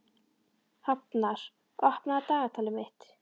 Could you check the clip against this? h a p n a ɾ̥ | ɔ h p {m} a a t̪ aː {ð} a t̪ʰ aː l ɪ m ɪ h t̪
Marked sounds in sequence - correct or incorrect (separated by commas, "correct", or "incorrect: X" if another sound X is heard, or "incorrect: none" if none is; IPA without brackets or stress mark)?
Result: incorrect: n, incorrect: ɣ